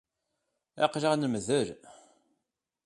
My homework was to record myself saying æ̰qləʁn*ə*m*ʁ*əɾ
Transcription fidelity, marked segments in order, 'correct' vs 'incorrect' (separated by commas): correct, incorrect